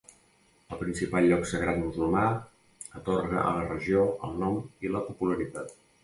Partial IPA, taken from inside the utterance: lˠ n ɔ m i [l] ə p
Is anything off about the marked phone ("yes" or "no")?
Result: no